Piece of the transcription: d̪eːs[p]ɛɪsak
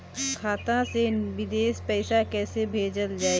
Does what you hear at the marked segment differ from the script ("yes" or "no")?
no